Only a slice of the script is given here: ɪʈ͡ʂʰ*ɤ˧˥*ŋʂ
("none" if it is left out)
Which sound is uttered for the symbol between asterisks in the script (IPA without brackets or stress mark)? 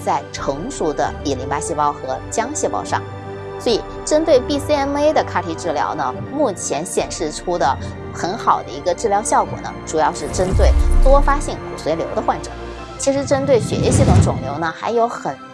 ɤ˧˥